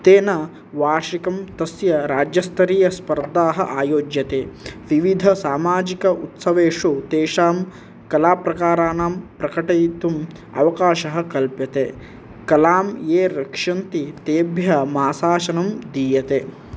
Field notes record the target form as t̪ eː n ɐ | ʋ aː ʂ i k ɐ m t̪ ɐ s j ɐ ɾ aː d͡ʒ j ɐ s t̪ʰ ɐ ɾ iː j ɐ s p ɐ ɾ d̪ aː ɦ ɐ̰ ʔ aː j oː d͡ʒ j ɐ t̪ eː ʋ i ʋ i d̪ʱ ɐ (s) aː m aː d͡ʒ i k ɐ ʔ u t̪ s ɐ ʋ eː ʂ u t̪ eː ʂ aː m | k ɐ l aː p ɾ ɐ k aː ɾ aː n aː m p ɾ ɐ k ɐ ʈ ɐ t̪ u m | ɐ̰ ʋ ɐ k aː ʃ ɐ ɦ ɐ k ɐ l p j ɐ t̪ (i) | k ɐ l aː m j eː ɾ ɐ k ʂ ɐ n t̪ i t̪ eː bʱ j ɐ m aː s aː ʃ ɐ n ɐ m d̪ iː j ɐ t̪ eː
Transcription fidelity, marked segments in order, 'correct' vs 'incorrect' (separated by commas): correct, incorrect